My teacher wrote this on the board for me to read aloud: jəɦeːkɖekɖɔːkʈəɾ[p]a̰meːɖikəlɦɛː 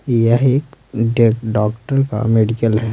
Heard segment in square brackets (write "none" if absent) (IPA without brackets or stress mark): k